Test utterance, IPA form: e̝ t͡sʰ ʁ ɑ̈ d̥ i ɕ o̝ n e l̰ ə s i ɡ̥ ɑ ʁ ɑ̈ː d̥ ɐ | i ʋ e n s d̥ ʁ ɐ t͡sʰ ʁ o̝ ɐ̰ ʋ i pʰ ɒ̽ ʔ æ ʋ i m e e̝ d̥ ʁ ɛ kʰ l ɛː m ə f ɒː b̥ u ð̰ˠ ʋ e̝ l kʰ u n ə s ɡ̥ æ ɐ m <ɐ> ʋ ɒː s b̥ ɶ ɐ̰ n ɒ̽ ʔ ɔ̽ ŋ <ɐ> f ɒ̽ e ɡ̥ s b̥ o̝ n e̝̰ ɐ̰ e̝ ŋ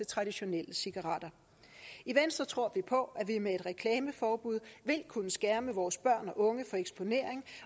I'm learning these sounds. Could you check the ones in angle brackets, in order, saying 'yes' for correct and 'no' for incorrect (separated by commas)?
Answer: no, no